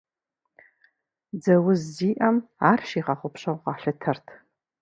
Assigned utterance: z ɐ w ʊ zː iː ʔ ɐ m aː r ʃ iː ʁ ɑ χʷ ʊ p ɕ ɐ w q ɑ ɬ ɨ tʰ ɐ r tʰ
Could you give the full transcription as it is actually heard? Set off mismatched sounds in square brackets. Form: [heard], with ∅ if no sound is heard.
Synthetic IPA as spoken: [d͡z] ɐ w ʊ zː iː ʔ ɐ m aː r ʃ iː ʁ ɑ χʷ ʊ p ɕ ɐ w q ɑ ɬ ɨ tʰ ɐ r tʰ